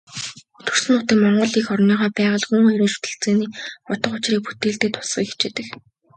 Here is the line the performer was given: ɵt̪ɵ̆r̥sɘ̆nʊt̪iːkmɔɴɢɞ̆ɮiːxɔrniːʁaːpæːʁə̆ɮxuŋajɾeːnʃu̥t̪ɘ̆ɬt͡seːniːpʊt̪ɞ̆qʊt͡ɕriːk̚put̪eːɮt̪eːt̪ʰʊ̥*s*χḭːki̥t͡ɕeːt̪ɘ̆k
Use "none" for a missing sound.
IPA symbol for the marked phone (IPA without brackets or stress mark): s